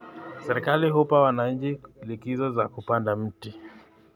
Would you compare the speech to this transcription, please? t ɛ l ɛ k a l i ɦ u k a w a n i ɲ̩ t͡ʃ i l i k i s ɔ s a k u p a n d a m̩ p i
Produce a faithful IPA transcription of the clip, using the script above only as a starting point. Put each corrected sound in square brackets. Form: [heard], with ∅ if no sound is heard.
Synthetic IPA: [s] ɛ [ɾ] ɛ k a l i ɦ u [p] a w a n [a] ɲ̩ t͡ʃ i l i k i [z] ɔ [z] a k u p a n d a m̩ [t] i

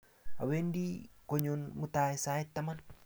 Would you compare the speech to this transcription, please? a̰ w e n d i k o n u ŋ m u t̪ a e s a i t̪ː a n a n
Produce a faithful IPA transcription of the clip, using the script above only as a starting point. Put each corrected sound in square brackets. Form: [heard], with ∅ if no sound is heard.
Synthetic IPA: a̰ w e n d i k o [ɲ] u [n] m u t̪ a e s a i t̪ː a [m] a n

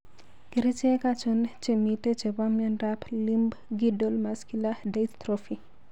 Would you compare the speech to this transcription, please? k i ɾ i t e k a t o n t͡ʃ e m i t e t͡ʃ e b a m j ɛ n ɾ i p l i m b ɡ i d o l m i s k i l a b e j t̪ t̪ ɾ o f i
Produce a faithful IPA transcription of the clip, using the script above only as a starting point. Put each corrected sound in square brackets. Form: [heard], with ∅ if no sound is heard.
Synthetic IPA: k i ɾ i [t͡ʃ] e k a [t͡ʃ] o n t͡ʃ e m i t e t͡ʃ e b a m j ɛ n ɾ [a] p l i m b ɡ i d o l m [a] s k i l a [d] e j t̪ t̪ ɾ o f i

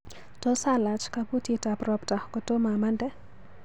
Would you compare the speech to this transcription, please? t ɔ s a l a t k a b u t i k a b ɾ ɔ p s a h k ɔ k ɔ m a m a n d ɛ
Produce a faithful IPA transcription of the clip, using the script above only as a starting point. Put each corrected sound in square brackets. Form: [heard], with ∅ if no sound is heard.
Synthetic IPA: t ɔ s a l a [t͡ʃ] k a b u t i [t] a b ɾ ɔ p [t] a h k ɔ [t] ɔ m a m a n d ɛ

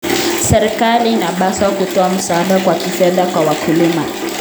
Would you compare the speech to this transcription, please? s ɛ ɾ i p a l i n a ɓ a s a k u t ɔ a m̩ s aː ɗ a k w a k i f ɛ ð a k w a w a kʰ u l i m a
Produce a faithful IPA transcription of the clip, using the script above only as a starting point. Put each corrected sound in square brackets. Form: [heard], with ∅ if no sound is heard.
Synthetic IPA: s ɛ ɾ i [k] a l i n a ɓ a s a k u t ɔ a m̩ s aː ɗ a k w a k i f ɛ ð a k w a w a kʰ u l i m a

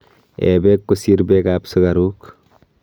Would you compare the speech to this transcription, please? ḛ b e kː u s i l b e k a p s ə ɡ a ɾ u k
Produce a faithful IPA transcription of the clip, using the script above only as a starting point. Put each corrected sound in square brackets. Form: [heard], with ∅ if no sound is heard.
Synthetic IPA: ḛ b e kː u s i [ɾ] b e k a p s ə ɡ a ɾ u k

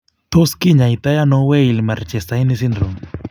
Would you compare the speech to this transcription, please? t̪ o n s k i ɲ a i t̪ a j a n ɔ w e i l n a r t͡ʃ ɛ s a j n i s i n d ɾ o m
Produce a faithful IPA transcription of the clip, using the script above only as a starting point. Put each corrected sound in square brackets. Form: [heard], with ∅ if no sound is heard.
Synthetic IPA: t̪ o [∅] s k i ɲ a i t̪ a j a n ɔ w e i l [m] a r t͡ʃ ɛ s a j n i s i n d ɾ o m

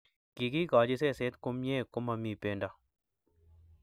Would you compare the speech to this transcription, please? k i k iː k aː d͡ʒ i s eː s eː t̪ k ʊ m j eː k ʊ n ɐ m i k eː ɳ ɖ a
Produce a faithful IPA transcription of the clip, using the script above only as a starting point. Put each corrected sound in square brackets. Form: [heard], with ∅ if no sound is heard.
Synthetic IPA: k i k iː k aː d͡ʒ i s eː s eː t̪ k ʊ m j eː k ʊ [m] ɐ m i [p] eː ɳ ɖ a

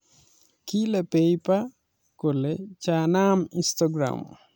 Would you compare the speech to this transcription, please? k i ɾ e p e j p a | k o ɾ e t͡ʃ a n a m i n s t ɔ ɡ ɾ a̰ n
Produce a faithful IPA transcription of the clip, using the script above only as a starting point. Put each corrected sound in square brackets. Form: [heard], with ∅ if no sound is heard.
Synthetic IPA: k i [l] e p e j p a | k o [l] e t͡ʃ a n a m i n s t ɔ ɡ ɾ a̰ [m]

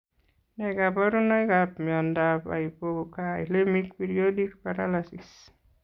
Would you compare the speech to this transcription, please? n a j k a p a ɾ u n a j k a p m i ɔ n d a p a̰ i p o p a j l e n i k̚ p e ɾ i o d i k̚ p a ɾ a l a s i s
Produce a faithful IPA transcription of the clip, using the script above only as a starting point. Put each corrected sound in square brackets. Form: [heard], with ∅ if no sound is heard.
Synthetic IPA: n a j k a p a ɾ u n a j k a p m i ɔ n d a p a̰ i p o [k] a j l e [m] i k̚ p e ɾ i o d i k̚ p a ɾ a l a s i s

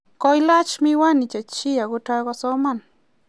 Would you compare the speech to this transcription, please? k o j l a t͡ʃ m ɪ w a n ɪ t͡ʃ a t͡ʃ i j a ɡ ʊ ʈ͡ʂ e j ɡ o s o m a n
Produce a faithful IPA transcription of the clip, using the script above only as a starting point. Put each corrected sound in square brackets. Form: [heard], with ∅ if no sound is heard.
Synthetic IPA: k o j l a t͡ʃ m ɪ w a n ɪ t͡ʃ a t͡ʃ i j a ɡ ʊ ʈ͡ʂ [a] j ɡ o s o m a n

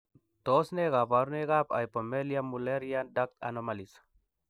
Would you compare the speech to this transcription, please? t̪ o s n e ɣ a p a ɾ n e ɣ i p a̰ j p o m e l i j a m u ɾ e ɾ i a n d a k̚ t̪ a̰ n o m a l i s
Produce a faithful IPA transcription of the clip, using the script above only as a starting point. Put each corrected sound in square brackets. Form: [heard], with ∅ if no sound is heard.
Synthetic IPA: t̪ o s n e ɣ a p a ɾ n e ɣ [a] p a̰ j p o m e l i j a m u [l] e ɾ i a n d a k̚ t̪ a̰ n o m a l i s

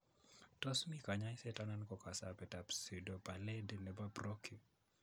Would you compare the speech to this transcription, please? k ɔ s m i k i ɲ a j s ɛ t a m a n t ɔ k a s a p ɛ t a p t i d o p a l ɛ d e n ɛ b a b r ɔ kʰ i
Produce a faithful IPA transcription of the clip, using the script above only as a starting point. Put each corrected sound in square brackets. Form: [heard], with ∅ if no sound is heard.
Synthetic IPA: [t] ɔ s m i k [a] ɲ a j s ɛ t a [n] a n [k] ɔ k a s a p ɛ t a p [s] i d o p a l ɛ d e n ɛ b a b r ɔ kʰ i

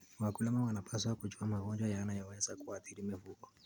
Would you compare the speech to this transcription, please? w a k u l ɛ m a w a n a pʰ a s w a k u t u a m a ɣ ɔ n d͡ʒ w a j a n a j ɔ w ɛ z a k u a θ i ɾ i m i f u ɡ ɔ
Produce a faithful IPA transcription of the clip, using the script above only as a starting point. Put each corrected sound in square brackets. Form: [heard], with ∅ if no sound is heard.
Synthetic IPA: w a k u l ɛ m a w a n a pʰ a s w a k u [t͡ʃ] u a m a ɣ ɔ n d͡ʒ w a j a n a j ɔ w ɛ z a k u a θ i ɾ i m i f u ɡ ɔ

